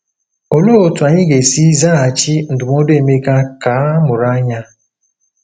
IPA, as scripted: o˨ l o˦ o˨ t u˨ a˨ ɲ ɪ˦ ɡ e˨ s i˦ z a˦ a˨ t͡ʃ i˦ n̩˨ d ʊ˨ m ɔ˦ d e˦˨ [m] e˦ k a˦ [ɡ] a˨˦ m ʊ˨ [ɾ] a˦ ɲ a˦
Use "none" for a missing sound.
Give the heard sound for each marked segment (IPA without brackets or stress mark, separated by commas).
m, k, ɾ